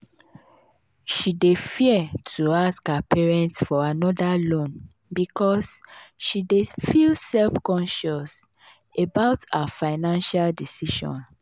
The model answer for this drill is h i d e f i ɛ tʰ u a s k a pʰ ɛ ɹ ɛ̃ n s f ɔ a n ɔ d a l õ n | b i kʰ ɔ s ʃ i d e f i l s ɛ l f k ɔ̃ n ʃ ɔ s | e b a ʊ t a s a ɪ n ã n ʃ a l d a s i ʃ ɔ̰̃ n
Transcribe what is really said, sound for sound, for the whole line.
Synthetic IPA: ʃ i d e f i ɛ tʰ u a s k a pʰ ɛ ɹ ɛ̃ n t f ɔ a n ɔ d a l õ n | b i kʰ ɔ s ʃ i d e f i l s ɛ l f k ɔ̃ n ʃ ɔ s | e b a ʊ t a f a ɪ n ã n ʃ a l d i s i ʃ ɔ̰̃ n